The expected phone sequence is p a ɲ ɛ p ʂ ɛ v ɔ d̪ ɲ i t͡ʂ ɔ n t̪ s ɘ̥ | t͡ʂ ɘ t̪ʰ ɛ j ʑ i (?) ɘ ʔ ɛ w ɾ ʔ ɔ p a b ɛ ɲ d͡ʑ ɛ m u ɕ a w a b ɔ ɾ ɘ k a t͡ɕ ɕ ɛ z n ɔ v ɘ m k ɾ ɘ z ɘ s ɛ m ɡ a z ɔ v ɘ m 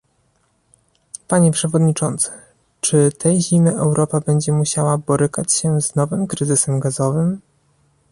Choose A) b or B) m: B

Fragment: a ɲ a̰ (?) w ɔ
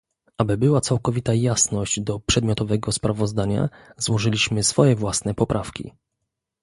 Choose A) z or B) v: A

